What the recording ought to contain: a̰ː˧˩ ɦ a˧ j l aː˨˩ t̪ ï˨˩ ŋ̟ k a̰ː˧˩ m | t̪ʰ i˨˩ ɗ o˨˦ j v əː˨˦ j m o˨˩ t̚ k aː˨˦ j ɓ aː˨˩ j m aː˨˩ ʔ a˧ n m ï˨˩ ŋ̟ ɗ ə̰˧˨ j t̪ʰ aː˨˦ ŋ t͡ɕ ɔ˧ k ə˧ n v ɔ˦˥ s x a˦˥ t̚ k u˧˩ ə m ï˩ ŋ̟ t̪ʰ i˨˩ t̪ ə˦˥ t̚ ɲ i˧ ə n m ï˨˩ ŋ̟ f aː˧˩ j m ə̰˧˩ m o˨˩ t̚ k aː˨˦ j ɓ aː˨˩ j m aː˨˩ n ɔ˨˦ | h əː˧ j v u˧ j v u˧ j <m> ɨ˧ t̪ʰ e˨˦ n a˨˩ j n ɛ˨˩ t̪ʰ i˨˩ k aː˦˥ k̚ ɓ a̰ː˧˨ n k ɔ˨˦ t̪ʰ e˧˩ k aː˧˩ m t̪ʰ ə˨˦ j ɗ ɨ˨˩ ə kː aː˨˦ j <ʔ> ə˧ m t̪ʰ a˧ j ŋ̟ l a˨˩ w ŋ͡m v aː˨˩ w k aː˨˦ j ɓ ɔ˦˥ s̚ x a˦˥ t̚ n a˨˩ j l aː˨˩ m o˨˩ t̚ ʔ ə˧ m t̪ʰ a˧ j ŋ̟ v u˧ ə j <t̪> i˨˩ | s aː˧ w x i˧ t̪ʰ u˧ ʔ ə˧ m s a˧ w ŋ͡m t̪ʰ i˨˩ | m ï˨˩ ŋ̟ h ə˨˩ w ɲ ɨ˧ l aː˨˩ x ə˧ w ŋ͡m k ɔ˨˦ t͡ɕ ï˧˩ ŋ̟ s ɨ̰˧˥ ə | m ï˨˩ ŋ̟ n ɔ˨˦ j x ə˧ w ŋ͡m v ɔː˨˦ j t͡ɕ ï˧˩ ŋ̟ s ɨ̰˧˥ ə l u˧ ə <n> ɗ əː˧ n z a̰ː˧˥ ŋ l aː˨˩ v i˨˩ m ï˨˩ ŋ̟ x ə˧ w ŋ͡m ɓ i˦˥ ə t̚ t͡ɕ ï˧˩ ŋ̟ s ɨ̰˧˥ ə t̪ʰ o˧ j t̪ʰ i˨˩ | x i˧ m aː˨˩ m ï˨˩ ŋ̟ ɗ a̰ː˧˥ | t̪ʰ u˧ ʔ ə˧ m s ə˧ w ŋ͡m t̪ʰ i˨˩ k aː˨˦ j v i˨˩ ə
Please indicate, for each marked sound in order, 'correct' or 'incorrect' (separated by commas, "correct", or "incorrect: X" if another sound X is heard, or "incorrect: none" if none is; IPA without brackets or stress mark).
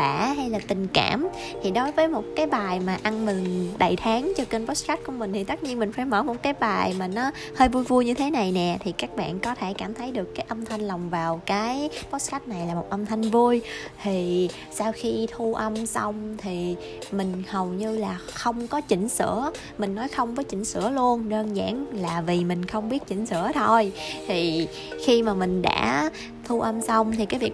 incorrect: ɲ, correct, incorrect: t̪ʰ, correct